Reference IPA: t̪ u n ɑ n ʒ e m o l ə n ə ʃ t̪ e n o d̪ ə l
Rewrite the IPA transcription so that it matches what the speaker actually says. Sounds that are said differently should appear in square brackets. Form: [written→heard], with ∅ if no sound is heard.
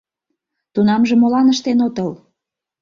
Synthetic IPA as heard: t̪ u n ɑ [n→m] ʒ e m o l [ə→ɑ] n ə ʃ t̪ e n o [d̪→t̪] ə l